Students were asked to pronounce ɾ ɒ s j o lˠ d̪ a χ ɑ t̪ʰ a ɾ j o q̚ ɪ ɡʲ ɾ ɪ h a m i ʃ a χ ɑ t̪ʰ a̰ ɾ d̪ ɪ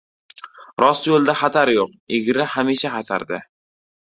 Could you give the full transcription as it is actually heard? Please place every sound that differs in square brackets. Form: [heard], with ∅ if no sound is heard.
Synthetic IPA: ɾ ɒ s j o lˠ d̪ a χ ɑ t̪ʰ a ɾ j o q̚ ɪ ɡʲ ɾ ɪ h a m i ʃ a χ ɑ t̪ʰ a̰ ɾ d̪ ɪ